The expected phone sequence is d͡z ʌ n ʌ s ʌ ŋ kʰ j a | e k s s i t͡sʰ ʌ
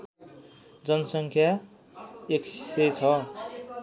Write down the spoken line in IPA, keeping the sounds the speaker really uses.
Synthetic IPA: d͡z ʌ n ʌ s ʌ ŋ kʰ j a | e k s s e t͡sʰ ʌ